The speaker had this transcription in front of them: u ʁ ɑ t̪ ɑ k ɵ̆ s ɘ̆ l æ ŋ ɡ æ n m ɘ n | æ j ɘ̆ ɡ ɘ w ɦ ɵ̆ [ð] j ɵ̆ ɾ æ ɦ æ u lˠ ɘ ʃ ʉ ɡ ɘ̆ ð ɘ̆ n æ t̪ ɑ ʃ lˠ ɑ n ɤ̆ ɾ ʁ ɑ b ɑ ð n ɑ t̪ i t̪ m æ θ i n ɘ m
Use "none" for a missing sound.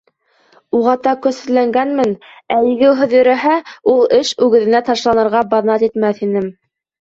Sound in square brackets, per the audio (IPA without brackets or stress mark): ð